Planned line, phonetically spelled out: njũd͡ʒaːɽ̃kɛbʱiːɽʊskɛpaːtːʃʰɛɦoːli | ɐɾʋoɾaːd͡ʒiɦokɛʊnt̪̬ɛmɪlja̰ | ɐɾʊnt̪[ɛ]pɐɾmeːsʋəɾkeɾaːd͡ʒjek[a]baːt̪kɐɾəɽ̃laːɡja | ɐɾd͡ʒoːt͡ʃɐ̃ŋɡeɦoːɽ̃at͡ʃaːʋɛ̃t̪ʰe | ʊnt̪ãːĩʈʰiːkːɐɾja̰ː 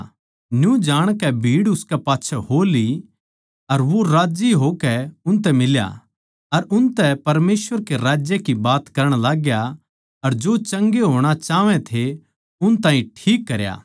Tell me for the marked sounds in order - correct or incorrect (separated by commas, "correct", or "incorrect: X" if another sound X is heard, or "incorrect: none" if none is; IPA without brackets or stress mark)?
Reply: correct, incorrect: i